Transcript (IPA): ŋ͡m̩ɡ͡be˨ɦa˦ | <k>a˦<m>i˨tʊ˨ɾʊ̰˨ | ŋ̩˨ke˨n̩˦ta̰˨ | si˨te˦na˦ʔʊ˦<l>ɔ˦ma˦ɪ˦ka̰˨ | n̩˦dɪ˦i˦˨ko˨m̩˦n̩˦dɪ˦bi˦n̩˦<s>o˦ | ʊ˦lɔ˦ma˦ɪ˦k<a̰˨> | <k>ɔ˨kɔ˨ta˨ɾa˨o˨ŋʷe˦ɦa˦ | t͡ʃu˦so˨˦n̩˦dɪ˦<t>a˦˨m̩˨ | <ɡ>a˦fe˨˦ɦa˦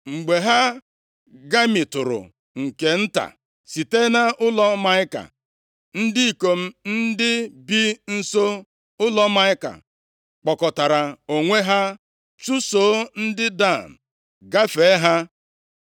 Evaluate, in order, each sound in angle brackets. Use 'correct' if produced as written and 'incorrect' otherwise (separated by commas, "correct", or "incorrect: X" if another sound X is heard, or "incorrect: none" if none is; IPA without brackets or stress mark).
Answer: incorrect: ɡ, correct, correct, correct, correct, incorrect: k͡p, incorrect: d, correct